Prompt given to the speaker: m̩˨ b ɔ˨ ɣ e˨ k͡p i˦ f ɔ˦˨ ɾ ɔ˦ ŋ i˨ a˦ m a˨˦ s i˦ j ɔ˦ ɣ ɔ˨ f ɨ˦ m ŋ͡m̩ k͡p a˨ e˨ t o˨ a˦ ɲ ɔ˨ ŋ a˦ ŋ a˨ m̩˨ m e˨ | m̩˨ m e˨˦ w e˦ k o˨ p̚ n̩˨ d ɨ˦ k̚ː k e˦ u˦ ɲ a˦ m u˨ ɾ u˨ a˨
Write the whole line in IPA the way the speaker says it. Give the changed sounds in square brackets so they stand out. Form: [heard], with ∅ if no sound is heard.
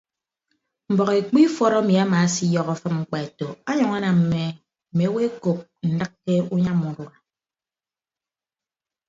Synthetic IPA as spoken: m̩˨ b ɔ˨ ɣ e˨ k͡p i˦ f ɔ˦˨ ɾ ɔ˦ [m] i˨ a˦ m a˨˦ s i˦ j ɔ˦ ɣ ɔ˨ f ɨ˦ m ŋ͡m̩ k͡p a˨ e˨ t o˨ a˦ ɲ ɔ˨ ŋ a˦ [n] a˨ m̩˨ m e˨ | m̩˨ m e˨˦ w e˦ k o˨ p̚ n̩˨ d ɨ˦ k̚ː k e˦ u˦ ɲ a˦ m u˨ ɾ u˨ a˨